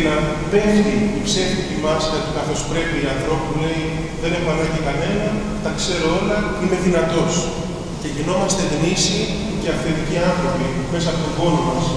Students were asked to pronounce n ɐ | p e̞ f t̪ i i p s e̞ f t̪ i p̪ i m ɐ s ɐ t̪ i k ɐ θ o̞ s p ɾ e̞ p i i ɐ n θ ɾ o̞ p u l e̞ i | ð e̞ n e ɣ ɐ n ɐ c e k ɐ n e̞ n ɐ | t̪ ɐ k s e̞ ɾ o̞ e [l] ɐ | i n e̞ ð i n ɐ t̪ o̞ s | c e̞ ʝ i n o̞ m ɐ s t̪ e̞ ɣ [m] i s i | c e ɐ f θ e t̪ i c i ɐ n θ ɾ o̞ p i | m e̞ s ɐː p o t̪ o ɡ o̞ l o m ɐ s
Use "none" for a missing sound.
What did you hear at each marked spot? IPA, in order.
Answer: l, n

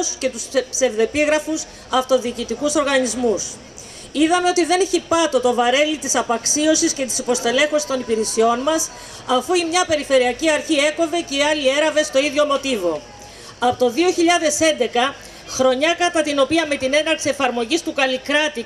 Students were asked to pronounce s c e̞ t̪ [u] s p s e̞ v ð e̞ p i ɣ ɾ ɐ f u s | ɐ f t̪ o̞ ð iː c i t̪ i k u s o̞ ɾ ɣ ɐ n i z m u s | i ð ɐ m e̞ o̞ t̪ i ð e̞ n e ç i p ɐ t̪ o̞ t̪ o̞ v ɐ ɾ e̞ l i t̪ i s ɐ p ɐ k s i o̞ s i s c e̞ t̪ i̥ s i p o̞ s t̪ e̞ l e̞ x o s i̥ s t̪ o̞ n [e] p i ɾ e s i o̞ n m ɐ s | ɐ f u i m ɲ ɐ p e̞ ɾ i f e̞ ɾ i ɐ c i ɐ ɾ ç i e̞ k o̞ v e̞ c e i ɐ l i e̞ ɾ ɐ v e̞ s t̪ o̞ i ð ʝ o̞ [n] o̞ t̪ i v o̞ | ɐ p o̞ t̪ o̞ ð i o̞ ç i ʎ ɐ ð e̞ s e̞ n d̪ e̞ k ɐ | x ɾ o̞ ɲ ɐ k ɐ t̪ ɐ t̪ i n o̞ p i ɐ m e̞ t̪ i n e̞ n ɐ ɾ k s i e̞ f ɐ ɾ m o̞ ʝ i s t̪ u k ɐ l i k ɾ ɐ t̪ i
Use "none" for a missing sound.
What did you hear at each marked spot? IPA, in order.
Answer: u, i, m

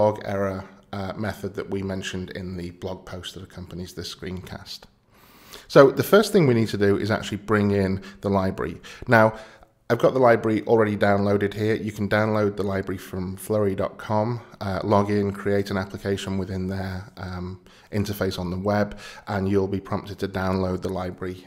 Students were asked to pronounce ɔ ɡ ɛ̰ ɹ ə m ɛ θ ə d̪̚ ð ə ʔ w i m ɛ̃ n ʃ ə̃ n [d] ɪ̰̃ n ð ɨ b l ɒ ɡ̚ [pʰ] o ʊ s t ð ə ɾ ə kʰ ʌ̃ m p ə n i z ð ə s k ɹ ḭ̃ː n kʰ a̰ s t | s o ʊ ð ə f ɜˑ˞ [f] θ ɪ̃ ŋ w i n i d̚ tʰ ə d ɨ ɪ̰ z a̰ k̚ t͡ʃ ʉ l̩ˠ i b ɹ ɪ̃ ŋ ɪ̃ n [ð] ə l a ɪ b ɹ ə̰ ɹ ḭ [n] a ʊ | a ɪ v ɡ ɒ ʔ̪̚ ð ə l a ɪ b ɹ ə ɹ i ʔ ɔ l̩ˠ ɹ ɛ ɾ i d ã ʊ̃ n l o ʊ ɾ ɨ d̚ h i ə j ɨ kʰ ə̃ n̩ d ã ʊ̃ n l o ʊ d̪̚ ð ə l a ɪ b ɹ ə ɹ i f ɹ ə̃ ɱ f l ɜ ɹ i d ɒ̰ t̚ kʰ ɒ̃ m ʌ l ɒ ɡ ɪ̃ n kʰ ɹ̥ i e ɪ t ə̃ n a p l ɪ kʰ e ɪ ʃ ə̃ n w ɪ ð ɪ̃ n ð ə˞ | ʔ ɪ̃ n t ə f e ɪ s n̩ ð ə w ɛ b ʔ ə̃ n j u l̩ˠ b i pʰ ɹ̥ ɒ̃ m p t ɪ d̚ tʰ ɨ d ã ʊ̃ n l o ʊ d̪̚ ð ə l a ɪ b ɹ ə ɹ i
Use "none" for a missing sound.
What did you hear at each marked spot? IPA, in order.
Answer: d, pʰ, s, ð, n

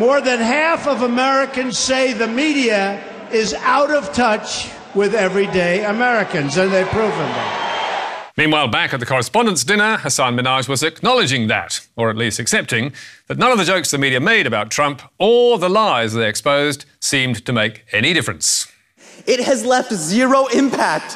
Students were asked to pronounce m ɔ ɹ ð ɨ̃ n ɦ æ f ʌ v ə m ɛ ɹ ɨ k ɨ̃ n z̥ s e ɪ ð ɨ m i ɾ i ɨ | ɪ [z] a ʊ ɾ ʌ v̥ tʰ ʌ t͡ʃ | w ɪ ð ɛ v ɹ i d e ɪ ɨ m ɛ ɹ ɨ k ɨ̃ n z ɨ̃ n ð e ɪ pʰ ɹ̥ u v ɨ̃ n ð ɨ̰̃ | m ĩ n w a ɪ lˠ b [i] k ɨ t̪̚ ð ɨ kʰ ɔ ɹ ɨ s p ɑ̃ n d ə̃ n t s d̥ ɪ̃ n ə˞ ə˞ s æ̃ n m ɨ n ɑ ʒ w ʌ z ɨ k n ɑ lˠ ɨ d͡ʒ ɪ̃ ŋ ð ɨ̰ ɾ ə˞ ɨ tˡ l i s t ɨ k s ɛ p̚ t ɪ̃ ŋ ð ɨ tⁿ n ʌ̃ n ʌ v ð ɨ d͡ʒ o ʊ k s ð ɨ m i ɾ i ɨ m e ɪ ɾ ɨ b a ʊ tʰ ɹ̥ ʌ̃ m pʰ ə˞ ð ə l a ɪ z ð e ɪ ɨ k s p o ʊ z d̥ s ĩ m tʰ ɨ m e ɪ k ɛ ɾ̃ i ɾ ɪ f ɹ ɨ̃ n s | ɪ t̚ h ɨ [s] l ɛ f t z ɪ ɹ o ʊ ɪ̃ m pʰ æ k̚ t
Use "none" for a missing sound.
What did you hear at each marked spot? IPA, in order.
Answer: z, æ, z

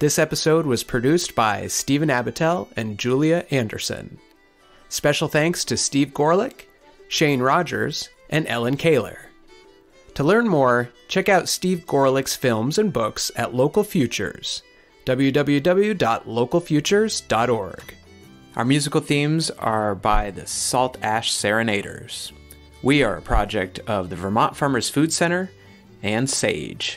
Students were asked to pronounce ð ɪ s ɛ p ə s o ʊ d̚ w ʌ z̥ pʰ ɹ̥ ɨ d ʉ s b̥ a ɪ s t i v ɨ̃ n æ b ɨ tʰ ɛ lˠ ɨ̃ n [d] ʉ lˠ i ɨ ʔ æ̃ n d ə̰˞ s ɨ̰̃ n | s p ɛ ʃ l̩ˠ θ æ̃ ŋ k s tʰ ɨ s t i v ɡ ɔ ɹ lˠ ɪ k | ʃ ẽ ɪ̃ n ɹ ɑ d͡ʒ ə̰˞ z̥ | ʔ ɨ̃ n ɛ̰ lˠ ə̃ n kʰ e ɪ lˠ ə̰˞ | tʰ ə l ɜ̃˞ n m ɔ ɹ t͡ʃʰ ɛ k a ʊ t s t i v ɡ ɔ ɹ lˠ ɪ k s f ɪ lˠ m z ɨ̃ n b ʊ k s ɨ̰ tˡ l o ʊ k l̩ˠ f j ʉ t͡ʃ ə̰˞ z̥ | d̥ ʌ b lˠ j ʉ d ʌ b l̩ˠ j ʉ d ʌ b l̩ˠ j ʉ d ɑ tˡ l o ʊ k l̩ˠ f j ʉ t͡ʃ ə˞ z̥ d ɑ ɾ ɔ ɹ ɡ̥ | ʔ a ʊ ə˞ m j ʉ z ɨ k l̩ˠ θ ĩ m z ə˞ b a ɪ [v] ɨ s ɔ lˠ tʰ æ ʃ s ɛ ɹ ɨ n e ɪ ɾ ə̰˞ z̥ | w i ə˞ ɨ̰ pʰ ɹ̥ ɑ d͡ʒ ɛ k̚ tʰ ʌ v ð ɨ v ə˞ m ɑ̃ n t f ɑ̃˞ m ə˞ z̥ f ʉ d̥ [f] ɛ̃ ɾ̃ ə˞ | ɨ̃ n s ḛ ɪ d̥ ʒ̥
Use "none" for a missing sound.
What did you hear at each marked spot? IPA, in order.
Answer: d͡ʒ, ð, s

